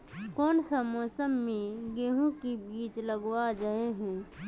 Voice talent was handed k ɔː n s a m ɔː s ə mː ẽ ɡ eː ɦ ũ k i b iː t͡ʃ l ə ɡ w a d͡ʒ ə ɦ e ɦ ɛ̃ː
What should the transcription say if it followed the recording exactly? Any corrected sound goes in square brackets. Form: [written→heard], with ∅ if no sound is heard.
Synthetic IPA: k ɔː n s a m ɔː s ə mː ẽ ɡ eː ɦ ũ k i b iː t͡ʃ l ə ɡ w a d͡ʒ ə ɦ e ɦ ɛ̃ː